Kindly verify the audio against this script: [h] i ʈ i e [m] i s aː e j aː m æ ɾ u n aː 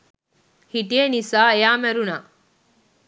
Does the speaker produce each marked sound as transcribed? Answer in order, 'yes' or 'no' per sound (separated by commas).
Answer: yes, no